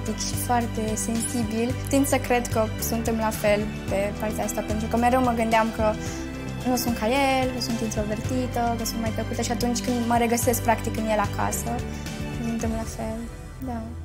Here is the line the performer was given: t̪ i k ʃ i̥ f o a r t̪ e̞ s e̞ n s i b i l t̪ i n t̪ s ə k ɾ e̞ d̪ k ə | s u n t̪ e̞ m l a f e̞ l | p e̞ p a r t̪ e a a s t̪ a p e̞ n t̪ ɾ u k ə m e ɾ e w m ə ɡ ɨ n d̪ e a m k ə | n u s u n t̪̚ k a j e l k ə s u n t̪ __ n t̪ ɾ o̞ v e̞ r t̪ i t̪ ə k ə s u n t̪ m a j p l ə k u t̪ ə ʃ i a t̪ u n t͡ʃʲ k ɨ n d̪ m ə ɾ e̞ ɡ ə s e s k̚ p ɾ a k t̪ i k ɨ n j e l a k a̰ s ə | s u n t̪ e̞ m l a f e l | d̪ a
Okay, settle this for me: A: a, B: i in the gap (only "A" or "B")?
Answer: B